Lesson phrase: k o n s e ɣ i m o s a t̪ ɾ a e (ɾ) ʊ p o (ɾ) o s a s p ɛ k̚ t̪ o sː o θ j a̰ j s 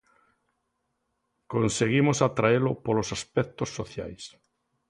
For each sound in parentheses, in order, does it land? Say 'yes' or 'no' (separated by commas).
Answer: no, no